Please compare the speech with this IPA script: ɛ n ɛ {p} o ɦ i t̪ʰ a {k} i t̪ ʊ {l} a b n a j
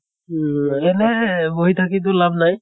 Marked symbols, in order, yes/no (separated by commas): no, yes, yes